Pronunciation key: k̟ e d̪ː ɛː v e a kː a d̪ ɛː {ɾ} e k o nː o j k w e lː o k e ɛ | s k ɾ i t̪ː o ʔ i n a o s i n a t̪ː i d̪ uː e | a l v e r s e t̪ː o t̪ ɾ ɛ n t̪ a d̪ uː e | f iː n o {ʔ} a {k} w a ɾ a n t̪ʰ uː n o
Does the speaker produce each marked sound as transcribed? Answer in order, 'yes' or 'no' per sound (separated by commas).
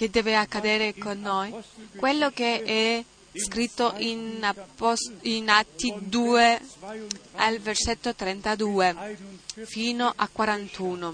yes, yes, yes